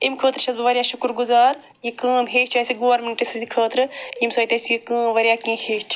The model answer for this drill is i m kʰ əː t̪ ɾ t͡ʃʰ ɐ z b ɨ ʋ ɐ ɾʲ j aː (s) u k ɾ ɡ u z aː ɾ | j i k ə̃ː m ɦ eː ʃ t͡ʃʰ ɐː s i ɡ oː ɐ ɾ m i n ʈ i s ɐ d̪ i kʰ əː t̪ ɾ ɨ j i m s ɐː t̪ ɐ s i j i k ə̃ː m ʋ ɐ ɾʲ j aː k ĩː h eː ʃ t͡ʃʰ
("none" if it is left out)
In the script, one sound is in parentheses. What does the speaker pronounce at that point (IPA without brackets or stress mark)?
ʃ